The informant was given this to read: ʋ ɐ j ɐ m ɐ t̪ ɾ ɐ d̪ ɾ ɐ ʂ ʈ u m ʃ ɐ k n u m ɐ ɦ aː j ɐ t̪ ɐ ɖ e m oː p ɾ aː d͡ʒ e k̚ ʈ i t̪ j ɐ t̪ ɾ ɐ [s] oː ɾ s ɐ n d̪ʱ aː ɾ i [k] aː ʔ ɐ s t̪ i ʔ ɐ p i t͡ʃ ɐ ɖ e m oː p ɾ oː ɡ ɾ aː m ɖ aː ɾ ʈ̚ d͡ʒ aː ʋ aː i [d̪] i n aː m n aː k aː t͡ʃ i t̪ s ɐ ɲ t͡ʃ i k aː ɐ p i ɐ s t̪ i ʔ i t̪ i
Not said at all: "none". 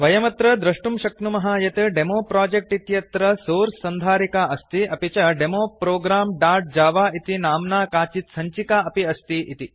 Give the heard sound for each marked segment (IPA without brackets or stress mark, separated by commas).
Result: s, k, t̪